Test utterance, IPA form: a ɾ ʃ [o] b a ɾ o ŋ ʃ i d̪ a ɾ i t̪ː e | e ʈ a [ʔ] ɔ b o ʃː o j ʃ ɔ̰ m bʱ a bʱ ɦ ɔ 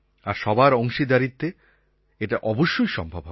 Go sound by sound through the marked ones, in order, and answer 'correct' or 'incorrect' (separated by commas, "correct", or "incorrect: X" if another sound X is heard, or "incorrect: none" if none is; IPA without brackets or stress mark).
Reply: incorrect: ɔ, correct